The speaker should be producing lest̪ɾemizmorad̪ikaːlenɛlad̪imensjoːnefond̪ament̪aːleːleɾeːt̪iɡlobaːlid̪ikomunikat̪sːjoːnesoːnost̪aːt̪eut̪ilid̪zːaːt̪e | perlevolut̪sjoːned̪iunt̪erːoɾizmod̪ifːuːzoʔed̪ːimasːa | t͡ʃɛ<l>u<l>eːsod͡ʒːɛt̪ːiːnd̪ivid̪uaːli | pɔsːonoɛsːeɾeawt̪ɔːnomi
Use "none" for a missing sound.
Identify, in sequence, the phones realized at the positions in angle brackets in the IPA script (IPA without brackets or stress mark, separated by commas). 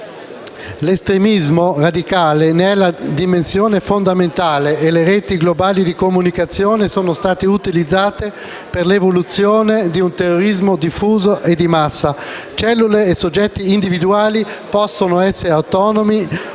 lː, l